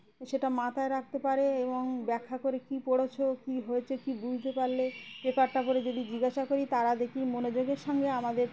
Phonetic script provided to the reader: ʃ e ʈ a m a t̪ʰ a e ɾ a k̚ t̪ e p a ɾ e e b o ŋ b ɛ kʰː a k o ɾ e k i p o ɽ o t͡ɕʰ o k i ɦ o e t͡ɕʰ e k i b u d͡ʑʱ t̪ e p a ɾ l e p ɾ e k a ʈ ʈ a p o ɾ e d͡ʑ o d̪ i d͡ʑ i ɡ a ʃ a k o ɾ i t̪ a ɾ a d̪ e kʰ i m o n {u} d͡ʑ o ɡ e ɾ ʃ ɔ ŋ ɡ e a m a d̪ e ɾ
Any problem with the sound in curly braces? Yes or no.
yes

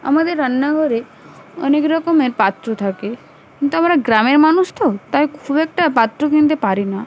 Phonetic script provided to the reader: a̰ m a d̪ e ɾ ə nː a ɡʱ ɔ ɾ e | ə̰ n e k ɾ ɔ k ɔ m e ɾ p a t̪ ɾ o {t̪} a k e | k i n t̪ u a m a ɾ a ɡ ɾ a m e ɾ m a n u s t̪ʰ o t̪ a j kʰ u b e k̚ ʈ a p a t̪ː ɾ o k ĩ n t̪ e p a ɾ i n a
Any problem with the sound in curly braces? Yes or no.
yes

